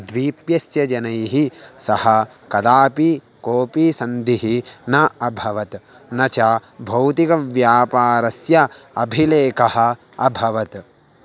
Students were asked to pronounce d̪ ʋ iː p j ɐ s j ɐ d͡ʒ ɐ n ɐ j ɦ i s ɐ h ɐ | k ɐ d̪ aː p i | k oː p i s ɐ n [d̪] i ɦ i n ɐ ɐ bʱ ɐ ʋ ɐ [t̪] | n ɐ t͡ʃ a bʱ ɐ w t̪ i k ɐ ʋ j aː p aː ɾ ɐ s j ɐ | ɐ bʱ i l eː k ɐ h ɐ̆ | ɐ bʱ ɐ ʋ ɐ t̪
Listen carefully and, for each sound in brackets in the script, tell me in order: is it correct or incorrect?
correct, correct

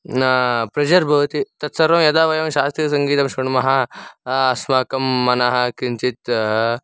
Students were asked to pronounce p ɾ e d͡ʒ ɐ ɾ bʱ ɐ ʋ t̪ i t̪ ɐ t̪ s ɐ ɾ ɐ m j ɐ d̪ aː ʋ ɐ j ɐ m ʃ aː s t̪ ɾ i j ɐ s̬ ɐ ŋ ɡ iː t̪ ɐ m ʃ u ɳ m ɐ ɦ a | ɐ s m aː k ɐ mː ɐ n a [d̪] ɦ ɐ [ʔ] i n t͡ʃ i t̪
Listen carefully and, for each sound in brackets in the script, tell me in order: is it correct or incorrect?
incorrect: none, incorrect: k

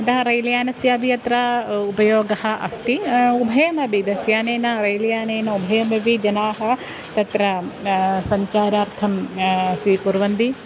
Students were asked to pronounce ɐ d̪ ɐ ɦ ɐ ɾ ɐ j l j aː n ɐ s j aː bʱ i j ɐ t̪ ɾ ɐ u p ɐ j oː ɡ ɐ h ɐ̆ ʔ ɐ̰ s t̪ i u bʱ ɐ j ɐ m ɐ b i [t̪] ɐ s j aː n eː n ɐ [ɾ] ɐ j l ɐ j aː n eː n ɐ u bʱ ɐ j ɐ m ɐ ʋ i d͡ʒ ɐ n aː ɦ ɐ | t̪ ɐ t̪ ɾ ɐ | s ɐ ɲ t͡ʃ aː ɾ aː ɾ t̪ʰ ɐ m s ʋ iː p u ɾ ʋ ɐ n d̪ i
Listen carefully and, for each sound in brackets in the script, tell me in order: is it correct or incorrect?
incorrect: d̪, correct

